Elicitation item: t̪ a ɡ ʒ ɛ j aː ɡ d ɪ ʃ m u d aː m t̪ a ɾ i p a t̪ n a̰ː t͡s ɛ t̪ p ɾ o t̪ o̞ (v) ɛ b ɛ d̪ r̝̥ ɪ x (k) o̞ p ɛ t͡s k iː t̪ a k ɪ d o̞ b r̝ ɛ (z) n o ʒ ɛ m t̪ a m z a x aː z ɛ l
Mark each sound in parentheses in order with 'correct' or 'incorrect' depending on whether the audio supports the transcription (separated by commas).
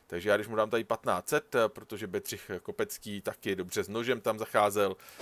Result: incorrect, correct, correct